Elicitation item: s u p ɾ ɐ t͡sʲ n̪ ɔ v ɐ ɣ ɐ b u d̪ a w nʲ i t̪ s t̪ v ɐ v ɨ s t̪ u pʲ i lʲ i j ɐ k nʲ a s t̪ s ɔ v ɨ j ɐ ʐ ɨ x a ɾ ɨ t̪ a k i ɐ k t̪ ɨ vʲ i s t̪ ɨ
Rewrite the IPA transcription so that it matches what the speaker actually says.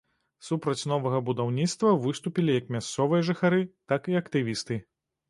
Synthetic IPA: s u p ɾ ɐ t͡sʲ n̪ ɔ v ɐ ɣ ɐ b u d̪ a w nʲ i t̪ s t̪ v ɐ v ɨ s t̪ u pʲ i lʲ i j ɐ k mʲ a s t̪ s ɔ v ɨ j ɐ ʐ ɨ x a ɾ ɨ t̪ a k i ɐ k t̪ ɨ vʲ i s t̪ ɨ